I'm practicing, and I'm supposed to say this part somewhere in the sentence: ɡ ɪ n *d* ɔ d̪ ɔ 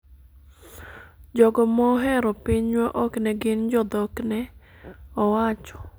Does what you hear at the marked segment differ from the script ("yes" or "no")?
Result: yes